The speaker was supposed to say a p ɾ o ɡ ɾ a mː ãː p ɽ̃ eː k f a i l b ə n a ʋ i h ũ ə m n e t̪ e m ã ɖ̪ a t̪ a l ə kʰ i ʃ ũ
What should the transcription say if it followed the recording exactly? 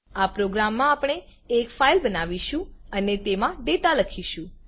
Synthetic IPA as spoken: a p ɾ o ɡ ɾ a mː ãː p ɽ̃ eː k f a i l b ə n a ʋ i ʃ ũ ə n e t̪ e m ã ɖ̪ e t̪ a l ə kʰ i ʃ ũ